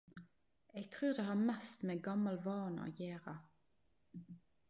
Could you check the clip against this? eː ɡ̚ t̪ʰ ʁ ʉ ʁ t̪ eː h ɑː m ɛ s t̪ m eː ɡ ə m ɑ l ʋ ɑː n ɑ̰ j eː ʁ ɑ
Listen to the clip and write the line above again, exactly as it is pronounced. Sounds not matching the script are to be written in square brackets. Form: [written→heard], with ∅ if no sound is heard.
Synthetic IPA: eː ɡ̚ t̪ʰ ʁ [ʉ→ʉː] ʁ [t̪→d̪] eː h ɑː m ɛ s t̪ m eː ɡ [ə→ɑ] m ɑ l ʋ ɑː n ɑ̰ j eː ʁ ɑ

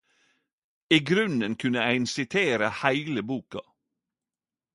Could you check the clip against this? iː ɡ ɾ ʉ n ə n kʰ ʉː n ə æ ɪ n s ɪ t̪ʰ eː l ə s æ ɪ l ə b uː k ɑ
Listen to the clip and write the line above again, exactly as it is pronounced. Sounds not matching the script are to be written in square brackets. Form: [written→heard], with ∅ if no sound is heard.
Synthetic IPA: iː ɡ ɾ ʉ n ə n kʰ [ʉː→ʉ] n ə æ ɪ n s ɪ t̪ʰ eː [l→ɾ] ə [s→h] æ ɪ l ə b uː k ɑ

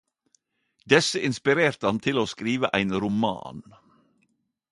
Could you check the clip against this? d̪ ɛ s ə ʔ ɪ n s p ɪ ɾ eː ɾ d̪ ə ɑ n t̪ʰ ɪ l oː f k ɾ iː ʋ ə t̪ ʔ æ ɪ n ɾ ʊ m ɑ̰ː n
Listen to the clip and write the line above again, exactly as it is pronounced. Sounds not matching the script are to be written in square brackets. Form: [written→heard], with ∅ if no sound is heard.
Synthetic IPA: d̪ ɛ s ə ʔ ɪ n s p ɪ ɾ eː ɾ [d̪→t̪] ə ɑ n t̪ʰ ɪ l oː [f→s] k ɾ iː ʋ ə [t̪→∅] ʔ æ ɪ n ɾ ʊ m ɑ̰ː n

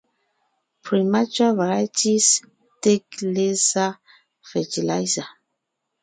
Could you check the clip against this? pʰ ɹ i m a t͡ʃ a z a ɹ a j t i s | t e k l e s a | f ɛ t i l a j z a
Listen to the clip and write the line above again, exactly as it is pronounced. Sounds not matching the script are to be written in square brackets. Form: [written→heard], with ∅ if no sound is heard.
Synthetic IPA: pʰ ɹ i m a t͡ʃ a [z→v] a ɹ a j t i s | t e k l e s a | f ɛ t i l a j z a

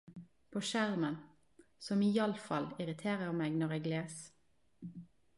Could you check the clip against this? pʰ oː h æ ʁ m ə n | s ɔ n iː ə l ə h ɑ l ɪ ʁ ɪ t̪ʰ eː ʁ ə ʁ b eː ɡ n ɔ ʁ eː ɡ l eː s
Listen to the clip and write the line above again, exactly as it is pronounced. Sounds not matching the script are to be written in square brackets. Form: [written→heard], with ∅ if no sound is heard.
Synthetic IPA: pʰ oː [h→ʃ] æ ʁ m ə n | s ɔ [n→m] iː [ə→ɑ] l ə [h→f] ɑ l ɪ ʁ ɪ t̪ʰ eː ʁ ə ʁ [b→m] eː ɡ n ɔ ʁ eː ɡ l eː s

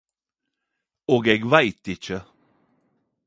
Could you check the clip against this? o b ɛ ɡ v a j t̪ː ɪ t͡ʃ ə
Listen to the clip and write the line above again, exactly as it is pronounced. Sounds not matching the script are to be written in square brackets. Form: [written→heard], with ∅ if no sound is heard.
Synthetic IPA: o [b→ɡ] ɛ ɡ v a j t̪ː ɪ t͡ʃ ə

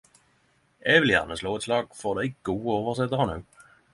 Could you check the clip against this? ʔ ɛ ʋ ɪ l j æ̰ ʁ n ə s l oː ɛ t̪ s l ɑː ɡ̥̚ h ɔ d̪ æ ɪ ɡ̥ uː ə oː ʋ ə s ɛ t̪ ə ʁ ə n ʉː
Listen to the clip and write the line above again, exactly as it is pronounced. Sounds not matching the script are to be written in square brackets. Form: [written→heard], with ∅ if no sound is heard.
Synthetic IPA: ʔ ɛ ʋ ɪ l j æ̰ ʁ n ə s l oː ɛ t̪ s l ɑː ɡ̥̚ [h→f] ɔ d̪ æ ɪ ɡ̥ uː ə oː ʋ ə s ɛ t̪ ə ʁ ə n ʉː

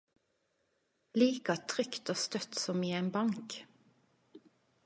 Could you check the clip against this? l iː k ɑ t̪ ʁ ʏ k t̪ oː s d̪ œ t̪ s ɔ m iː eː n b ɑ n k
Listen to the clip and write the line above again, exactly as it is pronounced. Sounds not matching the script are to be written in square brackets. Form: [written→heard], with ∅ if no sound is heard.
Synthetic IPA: l iː k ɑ [t̪→t̪ʰ] ʁ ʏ k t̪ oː s [d̪→t̪] œ t̪ s ɔ m iː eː n b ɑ [n→ŋ] k

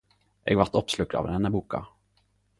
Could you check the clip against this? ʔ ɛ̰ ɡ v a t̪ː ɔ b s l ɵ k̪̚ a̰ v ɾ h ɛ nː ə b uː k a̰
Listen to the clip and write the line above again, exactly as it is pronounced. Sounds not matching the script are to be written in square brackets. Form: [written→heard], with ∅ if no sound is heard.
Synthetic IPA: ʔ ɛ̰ ɡ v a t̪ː ɔ [b→p] s l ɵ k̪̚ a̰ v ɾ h ɛ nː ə b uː k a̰

